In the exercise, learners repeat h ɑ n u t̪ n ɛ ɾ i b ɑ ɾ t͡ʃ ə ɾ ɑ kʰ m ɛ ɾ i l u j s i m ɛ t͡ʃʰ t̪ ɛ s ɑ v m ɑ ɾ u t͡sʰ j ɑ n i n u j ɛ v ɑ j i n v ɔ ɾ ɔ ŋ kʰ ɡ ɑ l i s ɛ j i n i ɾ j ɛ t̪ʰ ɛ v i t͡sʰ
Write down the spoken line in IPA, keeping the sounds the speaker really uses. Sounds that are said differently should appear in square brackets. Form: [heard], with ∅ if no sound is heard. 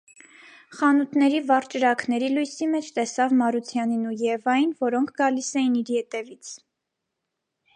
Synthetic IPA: [χ] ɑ n u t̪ n ɛ ɾ i [v] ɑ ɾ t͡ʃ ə ɾ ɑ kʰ [n] ɛ ɾ i l u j s i m ɛ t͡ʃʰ t̪ ɛ s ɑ v m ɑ ɾ u t͡sʰ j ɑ n i n u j ɛ v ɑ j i n v ɔ ɾ ɔ ŋ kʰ ɡ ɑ l i s ɛ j i n i ɾ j ɛ [t̪] ɛ v i t͡sʰ